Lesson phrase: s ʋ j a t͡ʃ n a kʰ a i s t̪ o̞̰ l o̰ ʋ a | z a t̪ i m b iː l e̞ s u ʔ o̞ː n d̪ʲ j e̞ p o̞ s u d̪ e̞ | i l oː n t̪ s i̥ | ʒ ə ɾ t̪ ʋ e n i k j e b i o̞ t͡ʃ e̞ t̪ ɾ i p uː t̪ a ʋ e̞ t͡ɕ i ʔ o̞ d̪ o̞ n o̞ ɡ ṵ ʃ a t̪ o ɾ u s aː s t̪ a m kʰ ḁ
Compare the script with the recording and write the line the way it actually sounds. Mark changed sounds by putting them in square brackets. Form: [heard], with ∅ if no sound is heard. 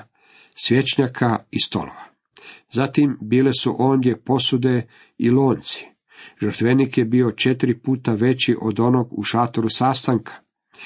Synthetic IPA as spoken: s ʋ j [e] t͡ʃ [ɲ] a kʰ a i s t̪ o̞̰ l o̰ ʋ a | z a t̪ i m b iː l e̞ s u ʔ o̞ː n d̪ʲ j e̞ p o̞ s u d̪ e̞ | i l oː n t̪ s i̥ | ʒ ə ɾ t̪ ʋ e n i k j e b i o̞ t͡ʃ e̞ t̪ ɾ i p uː t̪ a ʋ e̞ t͡ɕ i ʔ o̞ d̪ o̞ n o̞ ɡ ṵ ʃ a t̪ o ɾ u s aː s t̪ a [ŋ] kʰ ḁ